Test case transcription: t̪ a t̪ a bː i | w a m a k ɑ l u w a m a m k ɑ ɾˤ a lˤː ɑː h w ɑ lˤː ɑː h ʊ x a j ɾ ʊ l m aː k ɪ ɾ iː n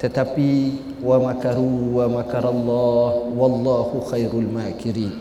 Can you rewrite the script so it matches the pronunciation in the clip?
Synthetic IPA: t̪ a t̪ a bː i | w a m a k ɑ ɾ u w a m a k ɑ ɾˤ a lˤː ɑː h w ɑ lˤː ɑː h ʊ x a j ɾ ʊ l m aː k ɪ ɾ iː n